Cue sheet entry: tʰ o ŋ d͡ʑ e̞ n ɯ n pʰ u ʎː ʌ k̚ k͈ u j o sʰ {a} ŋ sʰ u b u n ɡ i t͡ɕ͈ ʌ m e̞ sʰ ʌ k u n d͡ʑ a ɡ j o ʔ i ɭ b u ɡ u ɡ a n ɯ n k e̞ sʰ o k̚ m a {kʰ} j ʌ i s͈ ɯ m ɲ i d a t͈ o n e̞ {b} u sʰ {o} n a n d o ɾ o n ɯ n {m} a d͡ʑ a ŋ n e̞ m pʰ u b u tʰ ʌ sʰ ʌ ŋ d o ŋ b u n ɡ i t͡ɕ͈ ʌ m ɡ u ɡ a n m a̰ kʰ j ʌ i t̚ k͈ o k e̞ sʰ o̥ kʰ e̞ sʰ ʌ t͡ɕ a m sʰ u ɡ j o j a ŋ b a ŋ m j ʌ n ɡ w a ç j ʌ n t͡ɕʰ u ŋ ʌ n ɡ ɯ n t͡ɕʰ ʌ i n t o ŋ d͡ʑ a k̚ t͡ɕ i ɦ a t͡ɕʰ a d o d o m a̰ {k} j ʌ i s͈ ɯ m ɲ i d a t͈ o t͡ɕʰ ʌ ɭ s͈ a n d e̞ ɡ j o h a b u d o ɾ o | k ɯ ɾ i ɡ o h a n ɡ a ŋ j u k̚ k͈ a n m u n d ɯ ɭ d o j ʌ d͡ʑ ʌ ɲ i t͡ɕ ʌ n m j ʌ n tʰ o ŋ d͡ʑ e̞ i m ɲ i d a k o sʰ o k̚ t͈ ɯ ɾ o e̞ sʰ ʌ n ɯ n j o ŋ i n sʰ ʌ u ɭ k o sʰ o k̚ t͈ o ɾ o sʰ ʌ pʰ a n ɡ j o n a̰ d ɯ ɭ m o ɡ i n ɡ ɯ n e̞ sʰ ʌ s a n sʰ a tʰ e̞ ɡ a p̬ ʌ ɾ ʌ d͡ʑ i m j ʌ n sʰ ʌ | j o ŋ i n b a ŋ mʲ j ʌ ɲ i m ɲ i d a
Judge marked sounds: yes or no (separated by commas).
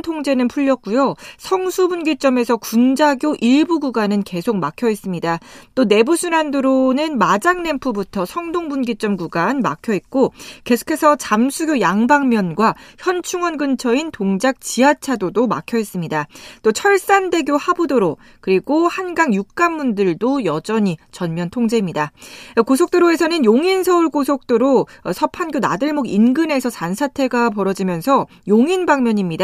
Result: no, yes, yes, no, yes, no